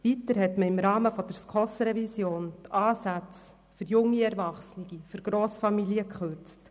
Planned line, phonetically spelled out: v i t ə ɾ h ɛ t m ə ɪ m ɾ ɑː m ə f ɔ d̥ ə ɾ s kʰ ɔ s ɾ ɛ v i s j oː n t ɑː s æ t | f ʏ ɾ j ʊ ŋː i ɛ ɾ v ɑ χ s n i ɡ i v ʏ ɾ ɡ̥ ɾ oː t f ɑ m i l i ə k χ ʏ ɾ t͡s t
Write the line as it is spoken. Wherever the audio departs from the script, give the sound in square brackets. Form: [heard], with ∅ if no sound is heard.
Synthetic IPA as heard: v i t ə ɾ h ɛ t m ə ɪ m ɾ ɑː m ə f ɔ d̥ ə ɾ s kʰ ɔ s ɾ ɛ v i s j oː n t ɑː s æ [t͡s] | f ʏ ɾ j ʊ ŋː i ɛ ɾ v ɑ χ s n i ɡ i [f] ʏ ɾ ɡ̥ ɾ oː [s] f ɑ m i l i ə k χ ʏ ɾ t͡s t